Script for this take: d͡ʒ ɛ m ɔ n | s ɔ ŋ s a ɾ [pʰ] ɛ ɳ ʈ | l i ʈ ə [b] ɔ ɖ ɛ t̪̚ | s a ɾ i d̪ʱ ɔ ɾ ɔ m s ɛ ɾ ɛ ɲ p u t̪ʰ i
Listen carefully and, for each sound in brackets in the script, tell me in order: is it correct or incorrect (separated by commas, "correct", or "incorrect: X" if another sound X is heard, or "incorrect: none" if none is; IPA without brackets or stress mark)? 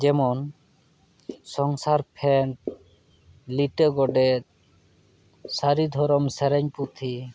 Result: correct, incorrect: ɡ